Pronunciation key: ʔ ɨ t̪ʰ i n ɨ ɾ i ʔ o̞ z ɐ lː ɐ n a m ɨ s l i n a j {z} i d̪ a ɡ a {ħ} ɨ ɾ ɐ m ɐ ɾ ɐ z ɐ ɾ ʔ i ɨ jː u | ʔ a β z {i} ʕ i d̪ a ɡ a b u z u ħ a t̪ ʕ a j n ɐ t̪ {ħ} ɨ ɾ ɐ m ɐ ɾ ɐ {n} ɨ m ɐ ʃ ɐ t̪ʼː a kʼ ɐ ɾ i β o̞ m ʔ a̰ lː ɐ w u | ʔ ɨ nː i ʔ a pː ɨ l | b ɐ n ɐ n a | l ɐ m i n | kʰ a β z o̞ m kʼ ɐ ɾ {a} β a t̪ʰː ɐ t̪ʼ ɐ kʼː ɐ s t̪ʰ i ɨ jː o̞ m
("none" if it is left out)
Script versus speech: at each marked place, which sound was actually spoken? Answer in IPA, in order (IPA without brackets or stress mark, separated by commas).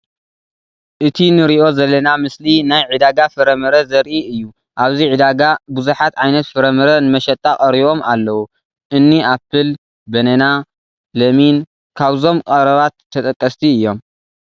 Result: ʕ, f, i, f, n, ɐ